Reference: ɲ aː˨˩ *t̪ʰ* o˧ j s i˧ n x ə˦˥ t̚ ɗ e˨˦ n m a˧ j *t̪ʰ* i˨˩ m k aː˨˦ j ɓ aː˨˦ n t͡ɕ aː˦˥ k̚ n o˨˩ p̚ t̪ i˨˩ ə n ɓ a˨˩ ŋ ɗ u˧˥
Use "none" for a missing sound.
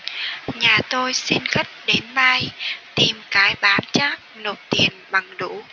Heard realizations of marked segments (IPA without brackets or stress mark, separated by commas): t̪, t̪